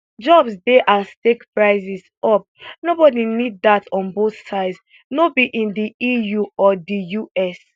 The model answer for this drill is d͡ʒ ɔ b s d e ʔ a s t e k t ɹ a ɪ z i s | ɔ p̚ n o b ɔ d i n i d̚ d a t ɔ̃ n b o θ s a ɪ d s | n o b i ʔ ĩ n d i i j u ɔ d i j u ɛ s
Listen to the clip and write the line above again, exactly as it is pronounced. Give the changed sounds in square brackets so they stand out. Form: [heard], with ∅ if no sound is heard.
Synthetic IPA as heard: d͡ʒ ɔ b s d e ʔ a s t e k [p] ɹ a ɪ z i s | ɔ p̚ n o b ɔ d i n i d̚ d a t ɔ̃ n b o θ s a ɪ d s | n o b i ʔ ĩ n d i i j u ɔ d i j u ɛ s